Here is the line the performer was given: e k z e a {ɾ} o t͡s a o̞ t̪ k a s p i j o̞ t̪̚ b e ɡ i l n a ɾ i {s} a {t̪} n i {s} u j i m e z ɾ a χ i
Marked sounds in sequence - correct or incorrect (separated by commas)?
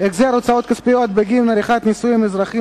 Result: correct, incorrect, correct, correct